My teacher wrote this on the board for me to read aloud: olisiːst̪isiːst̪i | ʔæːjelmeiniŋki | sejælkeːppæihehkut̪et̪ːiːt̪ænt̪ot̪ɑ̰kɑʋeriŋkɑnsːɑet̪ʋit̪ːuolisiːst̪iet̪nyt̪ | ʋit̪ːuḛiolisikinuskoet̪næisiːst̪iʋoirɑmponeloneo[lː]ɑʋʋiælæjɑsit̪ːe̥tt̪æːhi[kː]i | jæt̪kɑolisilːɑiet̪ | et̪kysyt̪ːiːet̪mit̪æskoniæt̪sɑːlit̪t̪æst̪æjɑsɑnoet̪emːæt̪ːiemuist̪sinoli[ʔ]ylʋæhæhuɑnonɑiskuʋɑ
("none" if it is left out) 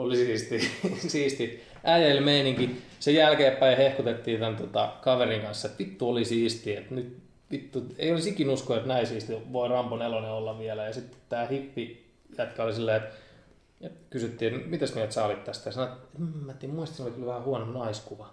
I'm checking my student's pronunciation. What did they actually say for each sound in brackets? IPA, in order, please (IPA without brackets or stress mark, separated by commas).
lː, pː, k